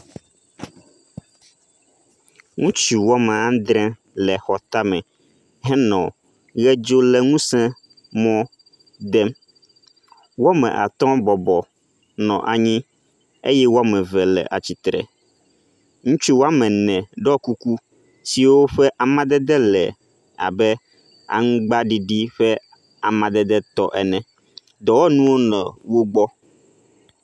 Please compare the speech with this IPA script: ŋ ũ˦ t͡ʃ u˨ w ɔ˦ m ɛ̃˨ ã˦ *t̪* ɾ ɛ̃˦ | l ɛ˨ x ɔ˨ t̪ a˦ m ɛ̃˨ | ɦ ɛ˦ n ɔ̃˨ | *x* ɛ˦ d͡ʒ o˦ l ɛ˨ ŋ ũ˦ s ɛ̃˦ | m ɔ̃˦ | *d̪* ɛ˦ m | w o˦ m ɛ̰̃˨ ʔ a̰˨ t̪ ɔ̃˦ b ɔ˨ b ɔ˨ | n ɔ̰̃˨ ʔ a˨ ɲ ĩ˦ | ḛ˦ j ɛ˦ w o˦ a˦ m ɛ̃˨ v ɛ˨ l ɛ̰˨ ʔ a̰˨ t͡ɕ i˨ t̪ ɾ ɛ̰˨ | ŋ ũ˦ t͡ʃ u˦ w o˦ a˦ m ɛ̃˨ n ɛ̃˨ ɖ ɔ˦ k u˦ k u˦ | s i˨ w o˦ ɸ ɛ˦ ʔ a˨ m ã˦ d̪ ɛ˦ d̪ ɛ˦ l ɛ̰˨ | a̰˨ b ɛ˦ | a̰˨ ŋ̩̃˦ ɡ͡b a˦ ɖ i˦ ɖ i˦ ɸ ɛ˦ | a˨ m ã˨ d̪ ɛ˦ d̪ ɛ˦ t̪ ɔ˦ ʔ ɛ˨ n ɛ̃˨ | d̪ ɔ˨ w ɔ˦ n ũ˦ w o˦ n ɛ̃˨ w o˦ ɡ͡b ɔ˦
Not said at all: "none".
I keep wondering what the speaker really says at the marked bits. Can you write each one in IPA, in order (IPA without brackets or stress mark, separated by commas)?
d̪, ɣ, d̪